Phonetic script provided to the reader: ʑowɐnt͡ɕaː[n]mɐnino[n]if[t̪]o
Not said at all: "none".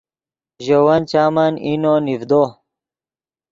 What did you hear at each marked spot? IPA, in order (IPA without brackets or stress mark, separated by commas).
none, n, d̪